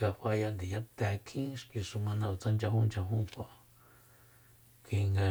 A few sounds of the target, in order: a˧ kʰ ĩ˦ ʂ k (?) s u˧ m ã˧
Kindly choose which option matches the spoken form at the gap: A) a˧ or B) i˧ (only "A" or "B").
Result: B